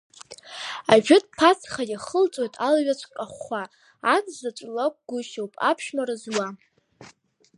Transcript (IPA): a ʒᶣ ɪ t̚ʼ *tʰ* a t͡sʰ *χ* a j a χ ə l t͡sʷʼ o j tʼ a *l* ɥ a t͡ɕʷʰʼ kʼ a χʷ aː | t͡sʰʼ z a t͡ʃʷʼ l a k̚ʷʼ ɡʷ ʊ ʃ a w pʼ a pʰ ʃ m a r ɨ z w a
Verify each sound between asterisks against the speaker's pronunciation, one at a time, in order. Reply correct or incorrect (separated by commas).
incorrect, correct, correct